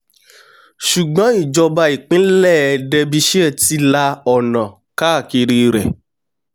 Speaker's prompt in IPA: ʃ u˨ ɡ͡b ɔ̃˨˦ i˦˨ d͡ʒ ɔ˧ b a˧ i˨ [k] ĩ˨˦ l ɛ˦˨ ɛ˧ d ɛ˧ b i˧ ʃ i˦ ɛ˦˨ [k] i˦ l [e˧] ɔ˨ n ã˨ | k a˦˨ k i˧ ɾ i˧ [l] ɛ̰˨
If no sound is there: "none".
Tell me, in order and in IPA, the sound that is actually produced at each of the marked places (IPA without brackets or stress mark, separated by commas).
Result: k͡p, t, a˧, ɾ